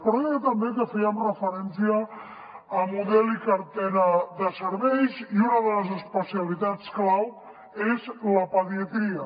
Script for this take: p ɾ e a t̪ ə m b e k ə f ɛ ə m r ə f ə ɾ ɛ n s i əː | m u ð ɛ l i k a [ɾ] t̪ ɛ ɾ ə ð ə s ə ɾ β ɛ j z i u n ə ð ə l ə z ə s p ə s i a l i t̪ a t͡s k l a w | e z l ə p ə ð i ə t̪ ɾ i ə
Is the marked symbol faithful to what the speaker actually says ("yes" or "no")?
yes